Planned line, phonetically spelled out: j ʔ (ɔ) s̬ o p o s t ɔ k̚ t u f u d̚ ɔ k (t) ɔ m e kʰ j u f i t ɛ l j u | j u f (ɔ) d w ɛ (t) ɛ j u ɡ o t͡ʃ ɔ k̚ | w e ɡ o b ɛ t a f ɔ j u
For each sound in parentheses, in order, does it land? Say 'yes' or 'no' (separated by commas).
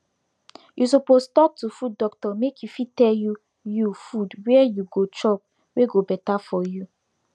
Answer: no, yes, no, no